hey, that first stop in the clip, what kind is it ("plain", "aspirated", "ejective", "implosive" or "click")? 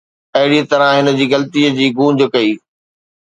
plain